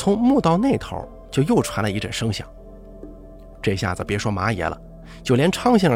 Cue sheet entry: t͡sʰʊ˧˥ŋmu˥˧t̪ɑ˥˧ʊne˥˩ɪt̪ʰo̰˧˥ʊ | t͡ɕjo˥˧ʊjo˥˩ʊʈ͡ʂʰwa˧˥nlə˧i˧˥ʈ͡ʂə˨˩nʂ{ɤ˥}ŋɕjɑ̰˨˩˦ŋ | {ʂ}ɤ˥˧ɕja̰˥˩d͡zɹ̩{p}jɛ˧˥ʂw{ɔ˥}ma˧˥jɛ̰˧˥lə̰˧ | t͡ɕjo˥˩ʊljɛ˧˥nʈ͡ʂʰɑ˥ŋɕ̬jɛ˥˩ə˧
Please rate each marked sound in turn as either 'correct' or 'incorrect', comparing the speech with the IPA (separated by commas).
correct, incorrect, correct, correct